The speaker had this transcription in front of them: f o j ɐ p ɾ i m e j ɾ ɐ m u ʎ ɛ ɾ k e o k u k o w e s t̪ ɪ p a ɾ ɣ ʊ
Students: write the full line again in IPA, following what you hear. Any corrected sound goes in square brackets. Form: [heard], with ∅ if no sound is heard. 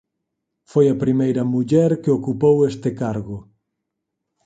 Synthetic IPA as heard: f o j ɐ p ɾ i m e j ɾ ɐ m u ʎ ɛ ɾ k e o k u [p] o w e s t̪ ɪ [k] a ɾ ɣ ʊ